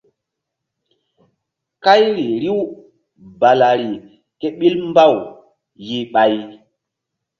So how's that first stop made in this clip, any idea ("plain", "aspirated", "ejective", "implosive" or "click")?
plain